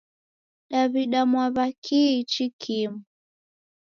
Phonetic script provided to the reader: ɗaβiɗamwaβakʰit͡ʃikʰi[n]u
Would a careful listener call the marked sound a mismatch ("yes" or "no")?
yes